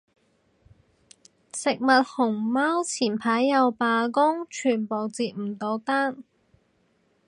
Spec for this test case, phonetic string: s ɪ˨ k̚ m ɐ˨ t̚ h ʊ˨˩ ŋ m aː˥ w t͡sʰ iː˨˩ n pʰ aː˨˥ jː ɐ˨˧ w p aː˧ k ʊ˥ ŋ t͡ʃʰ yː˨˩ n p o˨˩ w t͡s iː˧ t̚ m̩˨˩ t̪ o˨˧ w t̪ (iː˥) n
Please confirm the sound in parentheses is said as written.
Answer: no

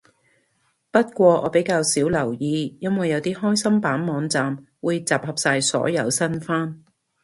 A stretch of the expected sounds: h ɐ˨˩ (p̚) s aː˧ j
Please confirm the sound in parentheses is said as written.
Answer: yes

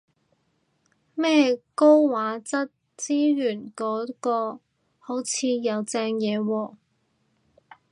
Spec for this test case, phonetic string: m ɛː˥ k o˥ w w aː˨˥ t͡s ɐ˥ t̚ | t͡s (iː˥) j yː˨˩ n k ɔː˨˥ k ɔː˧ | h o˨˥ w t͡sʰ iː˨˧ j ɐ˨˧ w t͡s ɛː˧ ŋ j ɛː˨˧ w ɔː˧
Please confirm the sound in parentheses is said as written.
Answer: yes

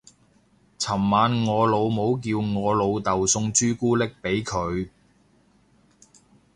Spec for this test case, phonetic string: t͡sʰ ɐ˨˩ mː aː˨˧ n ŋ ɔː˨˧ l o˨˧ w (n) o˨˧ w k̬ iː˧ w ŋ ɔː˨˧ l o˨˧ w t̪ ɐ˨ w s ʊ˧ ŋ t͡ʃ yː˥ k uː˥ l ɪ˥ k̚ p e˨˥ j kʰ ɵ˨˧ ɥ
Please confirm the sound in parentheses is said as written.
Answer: no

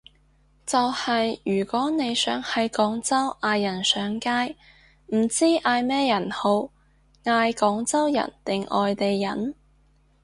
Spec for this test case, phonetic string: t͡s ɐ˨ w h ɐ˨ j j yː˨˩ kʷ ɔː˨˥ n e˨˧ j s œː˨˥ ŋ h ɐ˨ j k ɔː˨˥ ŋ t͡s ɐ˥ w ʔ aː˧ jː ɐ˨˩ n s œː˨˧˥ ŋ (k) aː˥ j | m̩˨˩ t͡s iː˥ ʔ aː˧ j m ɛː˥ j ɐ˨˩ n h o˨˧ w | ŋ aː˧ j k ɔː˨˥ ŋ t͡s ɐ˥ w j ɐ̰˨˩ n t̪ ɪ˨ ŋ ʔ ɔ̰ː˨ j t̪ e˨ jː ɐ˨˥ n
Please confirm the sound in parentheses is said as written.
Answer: yes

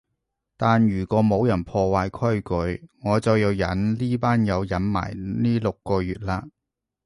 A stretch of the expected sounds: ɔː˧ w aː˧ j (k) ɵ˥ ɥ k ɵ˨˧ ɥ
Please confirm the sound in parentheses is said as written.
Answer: no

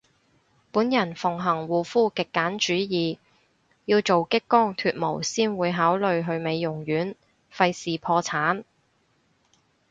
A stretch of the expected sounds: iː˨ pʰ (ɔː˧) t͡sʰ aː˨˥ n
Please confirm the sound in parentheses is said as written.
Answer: yes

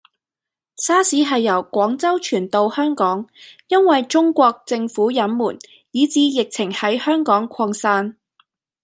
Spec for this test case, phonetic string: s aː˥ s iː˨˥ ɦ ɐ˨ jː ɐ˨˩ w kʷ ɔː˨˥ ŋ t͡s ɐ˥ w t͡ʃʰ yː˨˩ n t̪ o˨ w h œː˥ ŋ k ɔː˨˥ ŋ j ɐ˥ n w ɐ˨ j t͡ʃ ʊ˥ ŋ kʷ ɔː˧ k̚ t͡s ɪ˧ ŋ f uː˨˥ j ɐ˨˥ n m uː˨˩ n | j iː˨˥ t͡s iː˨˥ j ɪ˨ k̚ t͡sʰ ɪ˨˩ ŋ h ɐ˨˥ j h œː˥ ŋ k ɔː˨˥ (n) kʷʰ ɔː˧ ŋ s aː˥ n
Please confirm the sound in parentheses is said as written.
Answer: no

